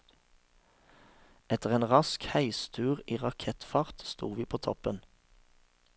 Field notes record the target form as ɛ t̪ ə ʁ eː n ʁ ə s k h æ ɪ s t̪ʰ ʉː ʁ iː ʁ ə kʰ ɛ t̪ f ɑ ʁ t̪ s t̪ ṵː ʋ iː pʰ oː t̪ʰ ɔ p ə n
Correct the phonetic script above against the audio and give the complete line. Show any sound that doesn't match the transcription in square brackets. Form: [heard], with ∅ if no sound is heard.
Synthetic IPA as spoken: ɛ t̪ ə ʁ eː n ʁ [ɑ] s k h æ ɪ s t̪ʰ ʉː ʁ iː ʁ [ɑ] kʰ ɛ t̪ f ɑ ʁ t̪ s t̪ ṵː ʋ iː pʰ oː t̪ʰ ɔ p ə n